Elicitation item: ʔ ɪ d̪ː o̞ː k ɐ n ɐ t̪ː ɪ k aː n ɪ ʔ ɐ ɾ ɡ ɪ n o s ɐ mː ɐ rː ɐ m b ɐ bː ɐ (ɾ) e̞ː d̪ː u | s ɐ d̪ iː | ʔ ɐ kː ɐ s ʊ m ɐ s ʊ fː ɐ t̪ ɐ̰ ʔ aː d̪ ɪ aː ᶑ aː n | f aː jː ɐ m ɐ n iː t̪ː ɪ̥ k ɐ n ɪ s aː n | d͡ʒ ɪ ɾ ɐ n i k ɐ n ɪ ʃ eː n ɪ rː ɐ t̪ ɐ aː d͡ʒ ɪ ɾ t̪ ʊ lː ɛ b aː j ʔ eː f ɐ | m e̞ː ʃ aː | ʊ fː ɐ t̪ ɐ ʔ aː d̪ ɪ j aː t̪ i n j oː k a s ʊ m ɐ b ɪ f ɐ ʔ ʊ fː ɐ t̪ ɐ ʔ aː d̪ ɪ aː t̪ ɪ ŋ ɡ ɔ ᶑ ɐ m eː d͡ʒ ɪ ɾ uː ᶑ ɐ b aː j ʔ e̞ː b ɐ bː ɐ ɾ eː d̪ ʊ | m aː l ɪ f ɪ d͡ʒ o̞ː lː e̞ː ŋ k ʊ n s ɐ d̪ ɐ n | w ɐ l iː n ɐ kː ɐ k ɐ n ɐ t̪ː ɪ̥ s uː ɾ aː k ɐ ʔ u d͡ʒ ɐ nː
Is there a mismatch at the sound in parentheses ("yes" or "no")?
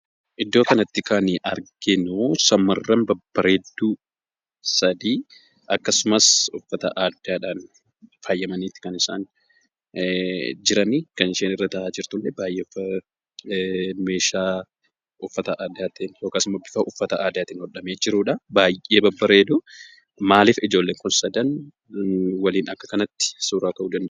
no